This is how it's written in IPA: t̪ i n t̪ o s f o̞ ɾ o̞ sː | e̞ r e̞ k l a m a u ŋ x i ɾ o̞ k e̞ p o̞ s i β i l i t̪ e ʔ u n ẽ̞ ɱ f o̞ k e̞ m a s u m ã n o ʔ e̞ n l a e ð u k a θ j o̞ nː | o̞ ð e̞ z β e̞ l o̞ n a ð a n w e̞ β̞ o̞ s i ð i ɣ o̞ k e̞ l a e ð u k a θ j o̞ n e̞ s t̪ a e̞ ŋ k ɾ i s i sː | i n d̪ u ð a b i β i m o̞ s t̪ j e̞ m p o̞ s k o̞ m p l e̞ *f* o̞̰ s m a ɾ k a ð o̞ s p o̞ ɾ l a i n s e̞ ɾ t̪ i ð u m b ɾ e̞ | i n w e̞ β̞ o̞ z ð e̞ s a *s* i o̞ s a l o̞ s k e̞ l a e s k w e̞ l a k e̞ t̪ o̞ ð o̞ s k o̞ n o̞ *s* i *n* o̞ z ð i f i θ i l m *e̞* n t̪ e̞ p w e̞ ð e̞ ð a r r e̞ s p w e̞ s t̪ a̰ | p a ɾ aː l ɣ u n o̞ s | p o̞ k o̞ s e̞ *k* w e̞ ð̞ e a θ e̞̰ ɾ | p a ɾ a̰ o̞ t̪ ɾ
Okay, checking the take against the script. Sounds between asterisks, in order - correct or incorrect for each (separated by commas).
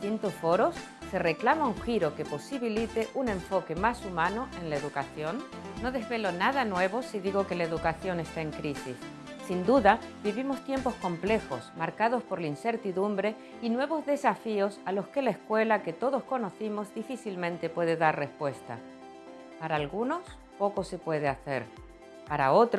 incorrect, incorrect, incorrect, incorrect, incorrect, incorrect